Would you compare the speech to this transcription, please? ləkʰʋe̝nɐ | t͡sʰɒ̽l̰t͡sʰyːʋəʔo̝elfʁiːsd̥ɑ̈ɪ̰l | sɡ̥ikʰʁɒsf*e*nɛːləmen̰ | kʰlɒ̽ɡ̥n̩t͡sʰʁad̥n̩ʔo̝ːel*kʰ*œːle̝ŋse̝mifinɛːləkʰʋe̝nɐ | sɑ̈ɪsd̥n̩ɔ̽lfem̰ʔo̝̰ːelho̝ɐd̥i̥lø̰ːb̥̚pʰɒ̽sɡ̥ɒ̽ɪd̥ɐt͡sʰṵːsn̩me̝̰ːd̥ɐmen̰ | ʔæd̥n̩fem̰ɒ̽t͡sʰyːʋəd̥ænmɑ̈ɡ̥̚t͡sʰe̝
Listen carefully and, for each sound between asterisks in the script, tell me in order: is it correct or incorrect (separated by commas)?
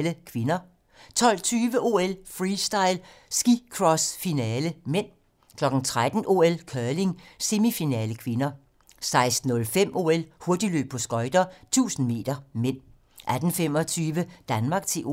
incorrect, correct